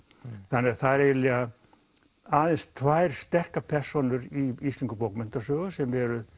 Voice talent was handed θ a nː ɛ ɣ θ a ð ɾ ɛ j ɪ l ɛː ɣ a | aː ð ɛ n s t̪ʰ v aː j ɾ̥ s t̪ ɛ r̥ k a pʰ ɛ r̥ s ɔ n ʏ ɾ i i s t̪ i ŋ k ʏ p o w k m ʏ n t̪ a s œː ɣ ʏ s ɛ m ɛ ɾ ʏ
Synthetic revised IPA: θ a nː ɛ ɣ θ a ð ɾ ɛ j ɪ l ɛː ɣ a | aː ð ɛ n s t̪ʰ v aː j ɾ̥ s t̪ ɛ r̥ k a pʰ ɛ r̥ s ɔ n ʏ ɾ i i s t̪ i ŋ k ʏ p o w k m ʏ n t̪ a s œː ɣ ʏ s ɛ m ɛ ɾ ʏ